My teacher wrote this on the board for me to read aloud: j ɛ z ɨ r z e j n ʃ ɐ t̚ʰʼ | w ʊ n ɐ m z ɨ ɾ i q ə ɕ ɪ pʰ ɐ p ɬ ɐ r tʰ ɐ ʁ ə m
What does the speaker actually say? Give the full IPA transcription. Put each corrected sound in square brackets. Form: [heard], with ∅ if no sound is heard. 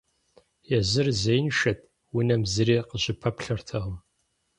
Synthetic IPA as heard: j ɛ z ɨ r z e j n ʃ ɐ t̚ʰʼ | w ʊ n ɐ m z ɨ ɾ [iː] q ə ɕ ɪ pʰ ɐ p ɬ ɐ r tʰ ɐ ʁ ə m